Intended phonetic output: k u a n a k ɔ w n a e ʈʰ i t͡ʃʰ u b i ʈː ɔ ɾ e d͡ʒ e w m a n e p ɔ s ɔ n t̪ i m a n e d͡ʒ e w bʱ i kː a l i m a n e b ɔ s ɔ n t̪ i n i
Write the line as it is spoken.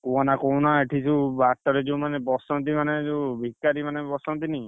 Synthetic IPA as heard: k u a n a k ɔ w n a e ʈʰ i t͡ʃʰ u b a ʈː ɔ ɾ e d͡ʒ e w m a n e b ɔ s ɔ n t̪ i m a n e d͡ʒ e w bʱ i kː a ɾ i m a n e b ɔ s ɔ n t̪ i n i

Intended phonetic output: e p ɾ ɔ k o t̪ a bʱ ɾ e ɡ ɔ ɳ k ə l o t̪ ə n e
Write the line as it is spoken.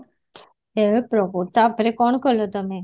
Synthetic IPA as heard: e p ɾ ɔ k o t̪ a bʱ ɾ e k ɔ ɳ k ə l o t̪ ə m e

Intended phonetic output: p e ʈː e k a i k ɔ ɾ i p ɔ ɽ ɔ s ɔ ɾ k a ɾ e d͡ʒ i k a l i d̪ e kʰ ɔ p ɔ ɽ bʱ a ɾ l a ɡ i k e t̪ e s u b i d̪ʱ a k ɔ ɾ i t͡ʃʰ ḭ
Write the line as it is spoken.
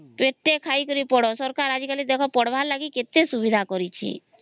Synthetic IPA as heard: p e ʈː e kʰ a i k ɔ ɾ i p ɔ ɽ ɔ s ɔ ɾ k a ɾ a d͡ʒ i k a l i d̪ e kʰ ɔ p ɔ ɽ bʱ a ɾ l a ɡ i k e t̪ e s u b i d̪ʱ a k ɔ ɾ i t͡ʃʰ ḭ

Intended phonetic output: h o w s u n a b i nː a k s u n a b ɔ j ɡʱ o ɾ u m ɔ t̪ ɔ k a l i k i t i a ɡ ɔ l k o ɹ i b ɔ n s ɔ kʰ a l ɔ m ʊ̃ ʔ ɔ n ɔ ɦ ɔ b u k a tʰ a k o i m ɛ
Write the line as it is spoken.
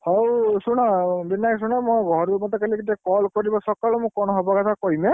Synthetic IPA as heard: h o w s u n a b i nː a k s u n a m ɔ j ɡʱ ɔ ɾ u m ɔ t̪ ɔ k a l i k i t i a k ɔ l k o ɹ i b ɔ s ɔ k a l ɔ m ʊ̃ k ɔ n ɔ ɦ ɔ b ɔ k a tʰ a k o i m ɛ

